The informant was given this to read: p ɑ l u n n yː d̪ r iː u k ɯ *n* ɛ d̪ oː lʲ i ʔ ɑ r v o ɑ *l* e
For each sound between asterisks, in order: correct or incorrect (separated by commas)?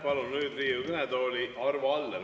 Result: correct, incorrect